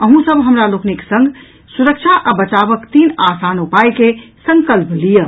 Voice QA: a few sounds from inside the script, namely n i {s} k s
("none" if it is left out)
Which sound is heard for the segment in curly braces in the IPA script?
none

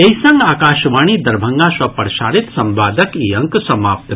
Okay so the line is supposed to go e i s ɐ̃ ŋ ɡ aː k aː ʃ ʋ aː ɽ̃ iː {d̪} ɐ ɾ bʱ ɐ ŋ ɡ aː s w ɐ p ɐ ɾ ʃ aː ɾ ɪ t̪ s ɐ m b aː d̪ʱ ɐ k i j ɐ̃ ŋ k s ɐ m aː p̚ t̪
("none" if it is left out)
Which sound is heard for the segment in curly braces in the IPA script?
d̪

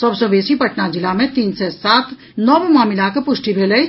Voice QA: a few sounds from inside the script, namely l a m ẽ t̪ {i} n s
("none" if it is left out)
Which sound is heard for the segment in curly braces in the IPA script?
iː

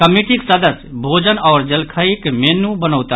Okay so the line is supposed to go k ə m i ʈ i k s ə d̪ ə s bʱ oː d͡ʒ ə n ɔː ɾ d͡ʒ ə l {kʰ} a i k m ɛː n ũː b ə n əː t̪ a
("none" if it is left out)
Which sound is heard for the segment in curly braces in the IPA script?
kʰ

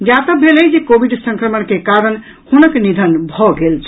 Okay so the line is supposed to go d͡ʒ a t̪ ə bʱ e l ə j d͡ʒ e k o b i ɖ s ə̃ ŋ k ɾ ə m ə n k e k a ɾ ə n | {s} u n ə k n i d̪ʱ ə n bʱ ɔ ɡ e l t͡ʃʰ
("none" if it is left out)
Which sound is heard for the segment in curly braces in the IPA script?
h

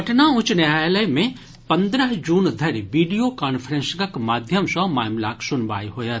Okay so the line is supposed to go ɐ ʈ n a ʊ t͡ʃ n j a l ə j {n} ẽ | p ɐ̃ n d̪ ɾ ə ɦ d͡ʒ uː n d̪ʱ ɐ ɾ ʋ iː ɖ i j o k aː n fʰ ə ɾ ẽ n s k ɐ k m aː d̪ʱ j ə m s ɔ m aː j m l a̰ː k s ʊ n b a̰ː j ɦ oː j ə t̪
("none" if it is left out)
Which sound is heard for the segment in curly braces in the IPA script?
m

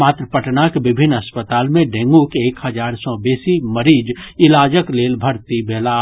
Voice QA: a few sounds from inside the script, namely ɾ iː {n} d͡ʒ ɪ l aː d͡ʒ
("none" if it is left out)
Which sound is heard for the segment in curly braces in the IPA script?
none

